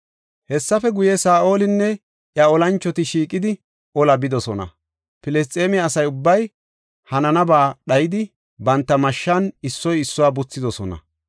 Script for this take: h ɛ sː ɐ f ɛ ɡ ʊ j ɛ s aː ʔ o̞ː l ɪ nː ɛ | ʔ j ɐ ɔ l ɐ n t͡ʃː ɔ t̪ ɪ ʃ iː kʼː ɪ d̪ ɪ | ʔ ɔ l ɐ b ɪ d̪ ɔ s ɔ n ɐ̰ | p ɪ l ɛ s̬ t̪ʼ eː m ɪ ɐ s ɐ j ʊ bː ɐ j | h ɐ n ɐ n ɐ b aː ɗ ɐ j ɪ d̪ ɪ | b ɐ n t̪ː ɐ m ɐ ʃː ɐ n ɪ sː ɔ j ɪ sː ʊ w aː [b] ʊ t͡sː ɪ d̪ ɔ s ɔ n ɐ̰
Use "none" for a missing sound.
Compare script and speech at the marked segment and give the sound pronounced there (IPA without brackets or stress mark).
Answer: b